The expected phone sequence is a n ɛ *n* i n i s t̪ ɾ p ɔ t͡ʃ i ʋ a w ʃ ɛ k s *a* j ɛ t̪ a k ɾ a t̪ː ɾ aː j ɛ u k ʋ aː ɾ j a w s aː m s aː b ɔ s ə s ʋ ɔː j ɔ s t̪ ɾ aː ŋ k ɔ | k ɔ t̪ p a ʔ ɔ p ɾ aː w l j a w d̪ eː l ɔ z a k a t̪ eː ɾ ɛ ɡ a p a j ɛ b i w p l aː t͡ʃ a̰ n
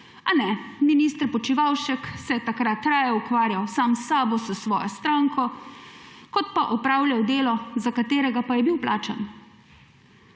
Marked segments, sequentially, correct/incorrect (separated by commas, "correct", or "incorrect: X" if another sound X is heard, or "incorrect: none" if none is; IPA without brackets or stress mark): incorrect: m, incorrect: ɛ